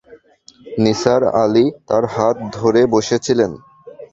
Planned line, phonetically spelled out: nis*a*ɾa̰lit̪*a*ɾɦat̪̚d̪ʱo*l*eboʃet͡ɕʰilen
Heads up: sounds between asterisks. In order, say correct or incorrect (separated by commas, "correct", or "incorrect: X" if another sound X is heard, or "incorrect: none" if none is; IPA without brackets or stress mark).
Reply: correct, correct, incorrect: ɾ